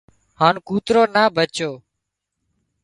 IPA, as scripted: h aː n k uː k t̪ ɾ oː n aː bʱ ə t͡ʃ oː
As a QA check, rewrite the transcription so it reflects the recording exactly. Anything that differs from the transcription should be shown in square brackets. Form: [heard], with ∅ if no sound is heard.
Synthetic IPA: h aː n k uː [∅] t̪ ɾ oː n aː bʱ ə t͡ʃ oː